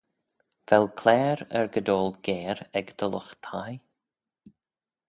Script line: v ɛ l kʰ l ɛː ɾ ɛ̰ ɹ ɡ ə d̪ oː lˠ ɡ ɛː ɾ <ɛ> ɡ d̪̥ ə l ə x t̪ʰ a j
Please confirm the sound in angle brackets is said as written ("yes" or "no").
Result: yes